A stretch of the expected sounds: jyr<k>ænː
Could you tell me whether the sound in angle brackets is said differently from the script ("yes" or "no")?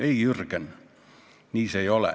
no